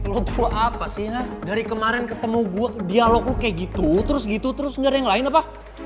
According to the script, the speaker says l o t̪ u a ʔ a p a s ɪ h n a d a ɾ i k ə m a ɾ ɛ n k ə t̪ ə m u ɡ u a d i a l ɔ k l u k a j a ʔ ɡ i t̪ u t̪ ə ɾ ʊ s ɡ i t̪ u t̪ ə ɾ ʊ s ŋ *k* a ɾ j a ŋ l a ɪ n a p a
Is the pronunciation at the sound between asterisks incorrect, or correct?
incorrect